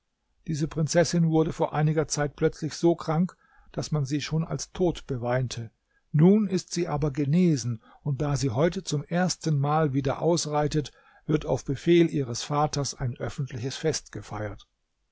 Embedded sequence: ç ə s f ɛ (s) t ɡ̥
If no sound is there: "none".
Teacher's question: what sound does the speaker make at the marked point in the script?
s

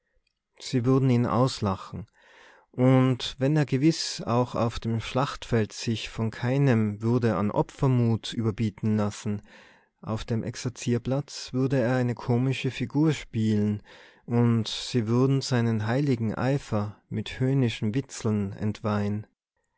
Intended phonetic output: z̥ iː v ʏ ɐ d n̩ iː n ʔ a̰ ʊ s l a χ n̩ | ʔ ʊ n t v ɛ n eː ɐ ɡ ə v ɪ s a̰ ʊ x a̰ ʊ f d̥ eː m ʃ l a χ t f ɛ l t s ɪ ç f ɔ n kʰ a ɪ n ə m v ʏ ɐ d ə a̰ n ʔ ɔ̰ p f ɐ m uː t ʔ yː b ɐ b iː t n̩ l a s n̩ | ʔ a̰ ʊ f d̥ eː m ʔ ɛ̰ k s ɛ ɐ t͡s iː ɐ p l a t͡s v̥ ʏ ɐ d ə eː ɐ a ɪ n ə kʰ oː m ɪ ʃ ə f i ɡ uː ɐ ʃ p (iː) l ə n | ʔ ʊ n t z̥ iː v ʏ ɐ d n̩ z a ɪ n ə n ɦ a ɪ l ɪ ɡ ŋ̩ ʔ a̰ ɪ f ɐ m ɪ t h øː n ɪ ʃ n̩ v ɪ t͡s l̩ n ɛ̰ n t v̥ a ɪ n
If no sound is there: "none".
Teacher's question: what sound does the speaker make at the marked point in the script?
iː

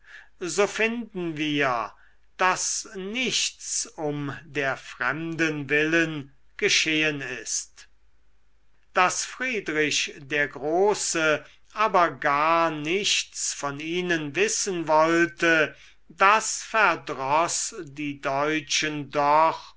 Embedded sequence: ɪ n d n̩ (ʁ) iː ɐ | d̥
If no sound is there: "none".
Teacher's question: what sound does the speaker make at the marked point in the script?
v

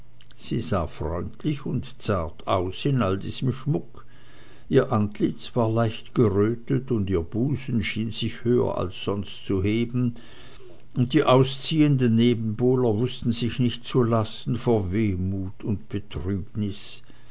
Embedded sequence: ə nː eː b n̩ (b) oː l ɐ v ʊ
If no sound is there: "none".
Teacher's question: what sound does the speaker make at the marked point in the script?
b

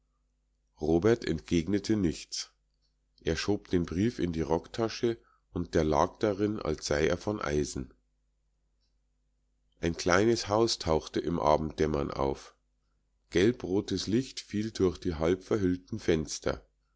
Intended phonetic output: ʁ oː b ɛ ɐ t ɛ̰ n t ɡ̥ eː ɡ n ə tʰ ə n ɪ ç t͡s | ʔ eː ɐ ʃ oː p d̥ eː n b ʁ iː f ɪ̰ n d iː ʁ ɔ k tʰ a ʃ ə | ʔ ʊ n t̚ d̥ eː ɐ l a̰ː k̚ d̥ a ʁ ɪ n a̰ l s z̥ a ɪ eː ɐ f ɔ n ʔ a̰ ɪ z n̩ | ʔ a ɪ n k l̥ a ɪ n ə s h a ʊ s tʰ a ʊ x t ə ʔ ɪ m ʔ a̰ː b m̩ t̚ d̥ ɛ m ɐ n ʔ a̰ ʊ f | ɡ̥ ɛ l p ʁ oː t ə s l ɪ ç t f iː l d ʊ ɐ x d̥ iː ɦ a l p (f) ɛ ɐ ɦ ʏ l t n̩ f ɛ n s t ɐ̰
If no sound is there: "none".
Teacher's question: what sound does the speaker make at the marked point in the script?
f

